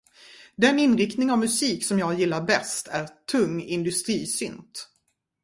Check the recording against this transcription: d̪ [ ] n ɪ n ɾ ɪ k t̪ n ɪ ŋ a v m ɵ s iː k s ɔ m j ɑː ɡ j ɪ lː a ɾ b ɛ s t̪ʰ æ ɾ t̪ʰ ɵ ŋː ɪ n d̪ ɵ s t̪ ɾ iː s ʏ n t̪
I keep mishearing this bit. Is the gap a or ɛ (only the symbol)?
ɛ